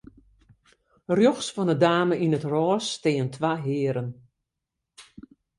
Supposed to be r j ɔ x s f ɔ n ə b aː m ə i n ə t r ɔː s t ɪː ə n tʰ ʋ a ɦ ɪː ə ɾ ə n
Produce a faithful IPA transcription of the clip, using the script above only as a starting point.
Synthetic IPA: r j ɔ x s f ɔ n ə d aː m ə i n ə t r ɔː s t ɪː ə n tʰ ʋ a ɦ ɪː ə ɾ ə n